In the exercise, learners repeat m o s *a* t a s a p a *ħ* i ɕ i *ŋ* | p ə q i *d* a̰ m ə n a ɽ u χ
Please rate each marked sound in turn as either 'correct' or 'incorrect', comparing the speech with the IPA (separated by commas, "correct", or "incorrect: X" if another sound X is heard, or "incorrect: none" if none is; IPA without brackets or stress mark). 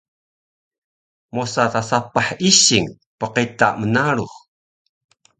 correct, correct, correct, incorrect: t